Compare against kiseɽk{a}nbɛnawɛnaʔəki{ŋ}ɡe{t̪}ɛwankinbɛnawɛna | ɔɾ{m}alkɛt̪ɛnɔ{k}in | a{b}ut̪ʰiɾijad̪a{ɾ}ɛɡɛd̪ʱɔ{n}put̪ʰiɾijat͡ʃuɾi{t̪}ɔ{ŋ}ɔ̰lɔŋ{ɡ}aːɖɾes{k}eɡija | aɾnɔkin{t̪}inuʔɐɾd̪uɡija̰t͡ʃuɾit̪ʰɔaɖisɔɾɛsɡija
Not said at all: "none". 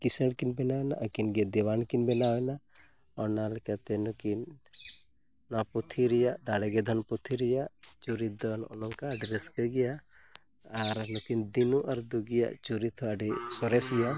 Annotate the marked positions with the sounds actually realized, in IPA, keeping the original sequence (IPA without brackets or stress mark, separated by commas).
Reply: i, n, d̪, n, k, p, ɽ, n, d̪, n, k, k, d̪